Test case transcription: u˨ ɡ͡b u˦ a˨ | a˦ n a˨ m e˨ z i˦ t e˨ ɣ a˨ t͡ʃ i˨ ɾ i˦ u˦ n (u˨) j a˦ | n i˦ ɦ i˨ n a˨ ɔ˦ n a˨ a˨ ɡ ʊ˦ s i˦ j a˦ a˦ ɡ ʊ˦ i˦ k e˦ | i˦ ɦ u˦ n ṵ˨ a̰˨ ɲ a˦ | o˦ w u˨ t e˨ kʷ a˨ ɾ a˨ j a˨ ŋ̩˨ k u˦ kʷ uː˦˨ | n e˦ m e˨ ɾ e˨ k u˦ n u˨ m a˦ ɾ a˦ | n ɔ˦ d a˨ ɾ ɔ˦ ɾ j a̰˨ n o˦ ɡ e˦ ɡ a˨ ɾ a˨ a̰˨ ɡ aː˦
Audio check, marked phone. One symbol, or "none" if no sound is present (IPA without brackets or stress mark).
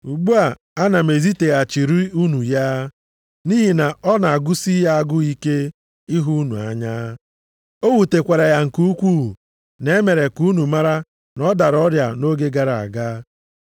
u˨